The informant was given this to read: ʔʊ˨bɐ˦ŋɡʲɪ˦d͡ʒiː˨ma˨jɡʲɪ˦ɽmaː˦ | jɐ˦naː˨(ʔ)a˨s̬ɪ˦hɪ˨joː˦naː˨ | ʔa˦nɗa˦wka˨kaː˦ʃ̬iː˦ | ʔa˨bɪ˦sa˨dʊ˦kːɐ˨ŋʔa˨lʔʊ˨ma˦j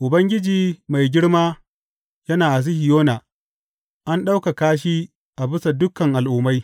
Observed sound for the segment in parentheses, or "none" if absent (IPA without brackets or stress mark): ʔ